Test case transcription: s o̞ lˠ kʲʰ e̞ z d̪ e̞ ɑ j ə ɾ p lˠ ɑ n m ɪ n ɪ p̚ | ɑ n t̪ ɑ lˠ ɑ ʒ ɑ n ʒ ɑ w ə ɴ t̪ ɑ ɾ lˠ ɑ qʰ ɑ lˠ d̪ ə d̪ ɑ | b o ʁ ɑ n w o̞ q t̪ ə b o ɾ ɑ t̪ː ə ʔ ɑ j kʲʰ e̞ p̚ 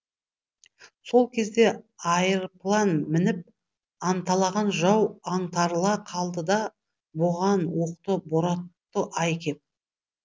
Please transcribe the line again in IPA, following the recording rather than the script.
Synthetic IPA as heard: s o̞ lˠ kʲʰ e̞ z d̪ e̞ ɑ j ə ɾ p lˠ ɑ n m ɪ n ɪ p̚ | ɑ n t̪ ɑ lˠ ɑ ʁ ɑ n ʒ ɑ w ɑ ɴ t̪ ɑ ɾ lˠ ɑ qʰ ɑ lˠ d̪ ə d̪ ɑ | b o ʁ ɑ n w o̞ q t̪ ə b o ɾ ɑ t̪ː ə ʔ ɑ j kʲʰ e̞ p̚